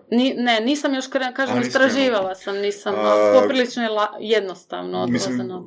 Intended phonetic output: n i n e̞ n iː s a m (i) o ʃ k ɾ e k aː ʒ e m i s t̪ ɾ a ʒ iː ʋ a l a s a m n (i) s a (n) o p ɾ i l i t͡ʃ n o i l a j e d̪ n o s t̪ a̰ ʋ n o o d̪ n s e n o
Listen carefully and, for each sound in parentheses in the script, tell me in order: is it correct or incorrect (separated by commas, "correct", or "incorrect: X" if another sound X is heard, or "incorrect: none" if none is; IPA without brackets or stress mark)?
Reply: incorrect: j, incorrect: iː, incorrect: m